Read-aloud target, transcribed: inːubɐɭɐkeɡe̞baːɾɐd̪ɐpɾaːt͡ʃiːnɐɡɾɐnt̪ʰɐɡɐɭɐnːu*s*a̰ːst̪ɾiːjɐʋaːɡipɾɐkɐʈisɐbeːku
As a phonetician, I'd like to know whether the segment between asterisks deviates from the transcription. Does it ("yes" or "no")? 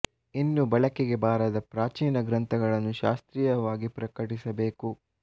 yes